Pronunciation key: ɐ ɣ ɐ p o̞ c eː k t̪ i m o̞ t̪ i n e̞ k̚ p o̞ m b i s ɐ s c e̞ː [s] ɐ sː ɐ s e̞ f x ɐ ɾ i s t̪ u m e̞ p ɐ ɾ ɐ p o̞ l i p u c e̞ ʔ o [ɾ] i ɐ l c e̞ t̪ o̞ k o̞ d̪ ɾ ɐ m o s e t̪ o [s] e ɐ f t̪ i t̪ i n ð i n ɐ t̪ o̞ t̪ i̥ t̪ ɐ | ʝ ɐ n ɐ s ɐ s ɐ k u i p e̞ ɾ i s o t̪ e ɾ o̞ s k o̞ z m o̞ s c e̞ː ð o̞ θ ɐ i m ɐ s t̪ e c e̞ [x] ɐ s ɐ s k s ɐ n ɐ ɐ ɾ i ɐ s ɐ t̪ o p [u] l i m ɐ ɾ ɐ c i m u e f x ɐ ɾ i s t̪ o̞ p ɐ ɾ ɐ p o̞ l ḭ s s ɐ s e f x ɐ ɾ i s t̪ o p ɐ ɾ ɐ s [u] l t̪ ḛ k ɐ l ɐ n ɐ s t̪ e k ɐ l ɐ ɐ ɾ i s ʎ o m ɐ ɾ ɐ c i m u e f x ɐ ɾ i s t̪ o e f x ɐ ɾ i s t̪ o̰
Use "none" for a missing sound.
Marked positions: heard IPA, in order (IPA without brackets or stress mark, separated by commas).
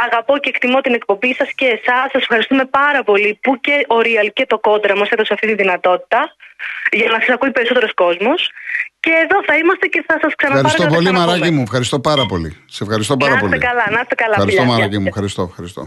s, ɾ, s, θ, o, o